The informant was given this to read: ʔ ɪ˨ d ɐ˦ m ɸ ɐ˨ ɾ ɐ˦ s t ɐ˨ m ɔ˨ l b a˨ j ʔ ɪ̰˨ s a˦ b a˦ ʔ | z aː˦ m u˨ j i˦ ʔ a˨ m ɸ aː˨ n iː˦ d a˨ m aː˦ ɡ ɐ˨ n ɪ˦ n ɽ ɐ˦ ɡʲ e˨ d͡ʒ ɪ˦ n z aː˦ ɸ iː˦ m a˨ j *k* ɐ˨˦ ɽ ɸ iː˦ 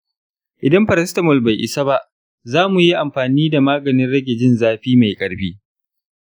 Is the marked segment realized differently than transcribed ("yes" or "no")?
yes